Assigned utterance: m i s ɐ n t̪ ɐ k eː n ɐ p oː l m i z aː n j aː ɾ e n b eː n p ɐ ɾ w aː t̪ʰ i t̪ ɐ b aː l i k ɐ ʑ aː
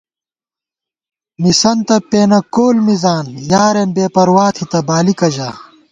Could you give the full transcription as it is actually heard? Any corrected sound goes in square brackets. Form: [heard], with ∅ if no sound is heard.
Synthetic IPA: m i s ɐ n t̪ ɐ [p] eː n ɐ [k] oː l m i z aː n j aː ɾ e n b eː [∅] p ɐ ɾ w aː t̪ʰ i t̪ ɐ b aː l i k ɐ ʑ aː